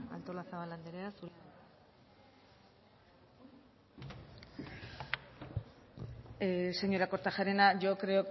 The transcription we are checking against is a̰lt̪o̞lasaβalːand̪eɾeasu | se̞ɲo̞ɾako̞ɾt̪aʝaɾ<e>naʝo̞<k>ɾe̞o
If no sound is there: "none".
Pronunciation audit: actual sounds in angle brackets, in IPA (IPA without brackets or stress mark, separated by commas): e, k